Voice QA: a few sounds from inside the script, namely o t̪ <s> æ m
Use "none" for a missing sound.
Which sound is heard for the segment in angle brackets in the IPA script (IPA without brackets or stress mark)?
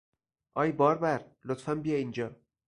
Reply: f